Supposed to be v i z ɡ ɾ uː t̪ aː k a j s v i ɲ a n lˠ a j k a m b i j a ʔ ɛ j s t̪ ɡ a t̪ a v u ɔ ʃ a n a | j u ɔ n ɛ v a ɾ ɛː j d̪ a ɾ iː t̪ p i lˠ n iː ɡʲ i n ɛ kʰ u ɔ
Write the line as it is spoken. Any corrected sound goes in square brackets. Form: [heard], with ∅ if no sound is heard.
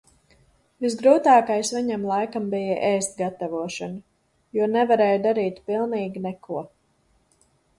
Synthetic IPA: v i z ɡ ɾ uː t̪ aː k a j s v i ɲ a [m] lˠ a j k a m b i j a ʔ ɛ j s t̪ ɡ a t̪ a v u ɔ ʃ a n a | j u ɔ n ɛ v a ɾ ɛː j d̪ a ɾ iː t̪ p i lˠ n iː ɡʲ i n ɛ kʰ u ɔ